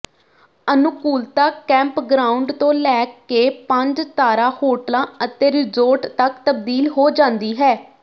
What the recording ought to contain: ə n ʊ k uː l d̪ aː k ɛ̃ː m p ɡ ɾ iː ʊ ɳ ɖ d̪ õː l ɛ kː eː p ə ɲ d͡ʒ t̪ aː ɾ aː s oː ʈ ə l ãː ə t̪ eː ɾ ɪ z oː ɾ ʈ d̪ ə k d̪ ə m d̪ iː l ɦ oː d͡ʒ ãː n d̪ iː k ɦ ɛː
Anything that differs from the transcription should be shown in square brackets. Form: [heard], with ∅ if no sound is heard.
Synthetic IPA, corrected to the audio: ə n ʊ k uː l [t̪] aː k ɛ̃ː m p ɡ ɾ [aː] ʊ ɳ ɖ [t̪] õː l [ɛː] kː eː p ə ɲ d͡ʒ t̪ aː ɾ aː [h] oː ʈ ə l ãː ə t̪ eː ɾ ɪ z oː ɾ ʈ [t̪] ə k [t̪] ə [b] d̪ iː l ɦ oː d͡ʒ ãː n d̪ iː [∅] ɦ ɛː